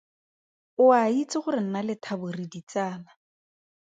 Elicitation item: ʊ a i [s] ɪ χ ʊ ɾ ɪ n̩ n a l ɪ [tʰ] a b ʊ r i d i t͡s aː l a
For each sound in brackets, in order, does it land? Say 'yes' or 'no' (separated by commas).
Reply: no, yes